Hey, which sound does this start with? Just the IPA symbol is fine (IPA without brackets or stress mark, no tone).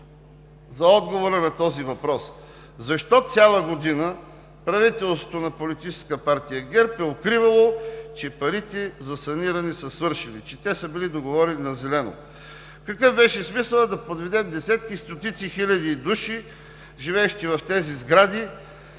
z